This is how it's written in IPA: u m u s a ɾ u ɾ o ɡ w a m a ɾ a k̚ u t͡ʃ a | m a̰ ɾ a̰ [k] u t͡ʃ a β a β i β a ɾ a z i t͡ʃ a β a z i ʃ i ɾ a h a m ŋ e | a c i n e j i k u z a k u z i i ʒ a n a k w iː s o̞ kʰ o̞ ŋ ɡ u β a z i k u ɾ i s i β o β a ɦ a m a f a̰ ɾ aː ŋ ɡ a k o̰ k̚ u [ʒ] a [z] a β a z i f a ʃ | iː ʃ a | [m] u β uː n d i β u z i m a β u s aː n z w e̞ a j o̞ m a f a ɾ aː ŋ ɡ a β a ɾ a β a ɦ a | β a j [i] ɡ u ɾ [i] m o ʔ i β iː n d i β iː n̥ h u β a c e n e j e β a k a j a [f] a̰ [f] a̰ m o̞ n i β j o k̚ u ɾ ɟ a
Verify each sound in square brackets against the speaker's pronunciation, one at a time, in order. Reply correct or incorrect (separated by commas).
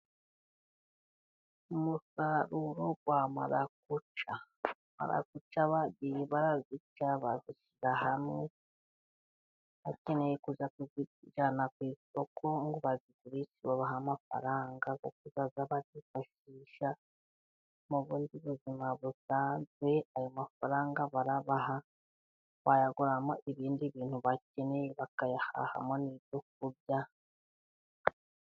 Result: correct, incorrect, correct, correct, incorrect, incorrect, incorrect, incorrect